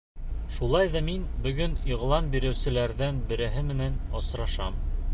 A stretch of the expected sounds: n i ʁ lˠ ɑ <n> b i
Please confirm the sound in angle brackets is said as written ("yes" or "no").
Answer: yes